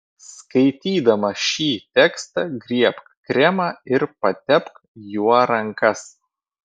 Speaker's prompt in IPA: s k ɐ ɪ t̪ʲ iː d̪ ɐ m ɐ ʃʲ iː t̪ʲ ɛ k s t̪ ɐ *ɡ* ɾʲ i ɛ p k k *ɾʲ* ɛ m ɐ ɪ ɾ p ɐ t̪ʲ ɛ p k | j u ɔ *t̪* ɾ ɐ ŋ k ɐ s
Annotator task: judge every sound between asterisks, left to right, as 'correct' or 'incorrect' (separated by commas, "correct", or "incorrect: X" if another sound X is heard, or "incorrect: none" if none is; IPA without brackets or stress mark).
correct, correct, incorrect: none